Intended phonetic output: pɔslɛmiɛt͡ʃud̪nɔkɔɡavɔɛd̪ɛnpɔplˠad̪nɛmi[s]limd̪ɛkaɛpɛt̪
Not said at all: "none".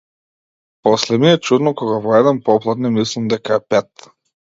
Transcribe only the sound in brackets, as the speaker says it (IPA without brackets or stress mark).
s